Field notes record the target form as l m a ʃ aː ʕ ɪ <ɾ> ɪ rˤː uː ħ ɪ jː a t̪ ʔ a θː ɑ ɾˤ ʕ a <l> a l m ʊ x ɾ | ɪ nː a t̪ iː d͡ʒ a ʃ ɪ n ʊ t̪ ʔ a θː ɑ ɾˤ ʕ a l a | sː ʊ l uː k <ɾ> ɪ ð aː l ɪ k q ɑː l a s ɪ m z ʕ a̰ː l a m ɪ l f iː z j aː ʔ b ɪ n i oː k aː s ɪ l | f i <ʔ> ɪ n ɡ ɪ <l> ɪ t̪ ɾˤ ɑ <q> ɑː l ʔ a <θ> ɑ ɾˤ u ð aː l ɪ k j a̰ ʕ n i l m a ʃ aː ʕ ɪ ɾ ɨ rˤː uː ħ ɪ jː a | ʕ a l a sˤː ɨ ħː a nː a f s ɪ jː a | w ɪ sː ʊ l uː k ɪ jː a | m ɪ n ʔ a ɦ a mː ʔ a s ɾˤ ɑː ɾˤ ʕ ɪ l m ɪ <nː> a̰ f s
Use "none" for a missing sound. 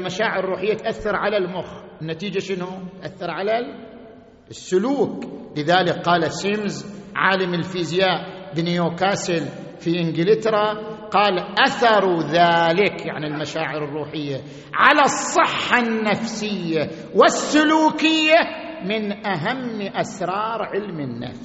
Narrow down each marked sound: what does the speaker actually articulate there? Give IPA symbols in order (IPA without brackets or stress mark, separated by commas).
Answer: ɾ, l, l, ʔ, l, q, θ, nː